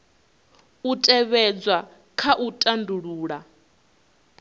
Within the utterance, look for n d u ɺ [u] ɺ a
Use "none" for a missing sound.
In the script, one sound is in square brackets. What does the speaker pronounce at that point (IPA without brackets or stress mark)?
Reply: uː